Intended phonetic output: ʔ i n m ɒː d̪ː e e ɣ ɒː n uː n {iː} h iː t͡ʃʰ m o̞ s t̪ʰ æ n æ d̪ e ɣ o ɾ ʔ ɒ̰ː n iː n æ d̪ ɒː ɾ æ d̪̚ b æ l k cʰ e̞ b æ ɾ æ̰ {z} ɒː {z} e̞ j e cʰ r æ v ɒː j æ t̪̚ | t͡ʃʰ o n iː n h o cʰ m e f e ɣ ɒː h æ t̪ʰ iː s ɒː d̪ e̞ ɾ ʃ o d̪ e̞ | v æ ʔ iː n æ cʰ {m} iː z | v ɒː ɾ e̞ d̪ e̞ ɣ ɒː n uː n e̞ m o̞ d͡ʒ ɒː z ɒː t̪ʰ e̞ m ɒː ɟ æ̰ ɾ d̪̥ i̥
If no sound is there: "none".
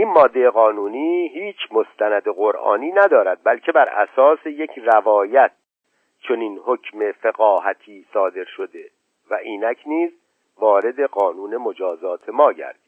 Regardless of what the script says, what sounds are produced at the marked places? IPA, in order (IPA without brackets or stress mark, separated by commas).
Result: iː, s, s, n